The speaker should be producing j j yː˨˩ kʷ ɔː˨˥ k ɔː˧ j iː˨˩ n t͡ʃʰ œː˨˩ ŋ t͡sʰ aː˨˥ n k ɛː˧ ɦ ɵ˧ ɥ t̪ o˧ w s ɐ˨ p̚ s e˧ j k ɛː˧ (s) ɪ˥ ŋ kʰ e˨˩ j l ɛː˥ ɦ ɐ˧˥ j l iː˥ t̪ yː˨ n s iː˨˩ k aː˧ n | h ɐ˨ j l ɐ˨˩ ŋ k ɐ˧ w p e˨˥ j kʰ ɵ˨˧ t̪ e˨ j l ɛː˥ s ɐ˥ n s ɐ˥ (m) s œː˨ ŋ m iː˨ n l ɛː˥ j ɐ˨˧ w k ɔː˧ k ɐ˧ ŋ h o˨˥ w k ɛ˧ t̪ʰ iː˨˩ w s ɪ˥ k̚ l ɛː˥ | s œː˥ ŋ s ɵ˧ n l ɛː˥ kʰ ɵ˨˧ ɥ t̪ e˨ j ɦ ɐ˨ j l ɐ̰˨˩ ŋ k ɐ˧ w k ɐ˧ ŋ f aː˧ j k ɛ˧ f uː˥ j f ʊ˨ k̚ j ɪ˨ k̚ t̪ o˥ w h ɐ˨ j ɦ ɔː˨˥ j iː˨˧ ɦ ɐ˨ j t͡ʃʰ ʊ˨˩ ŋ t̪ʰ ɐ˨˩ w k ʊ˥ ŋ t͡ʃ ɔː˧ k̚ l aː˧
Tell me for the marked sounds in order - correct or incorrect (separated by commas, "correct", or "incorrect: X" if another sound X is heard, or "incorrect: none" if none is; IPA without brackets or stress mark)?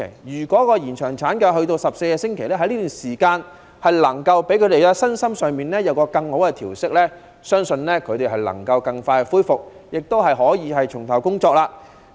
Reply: correct, correct